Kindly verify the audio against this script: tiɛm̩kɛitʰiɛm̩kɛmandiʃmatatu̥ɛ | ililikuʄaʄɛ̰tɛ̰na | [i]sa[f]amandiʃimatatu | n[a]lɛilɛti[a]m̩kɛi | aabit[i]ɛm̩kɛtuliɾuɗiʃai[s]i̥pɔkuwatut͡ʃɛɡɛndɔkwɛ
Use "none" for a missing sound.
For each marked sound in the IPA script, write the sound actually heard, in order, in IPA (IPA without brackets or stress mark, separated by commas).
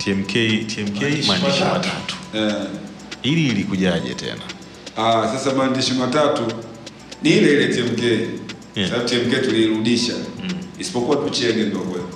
a, s, i, ɛ, i, s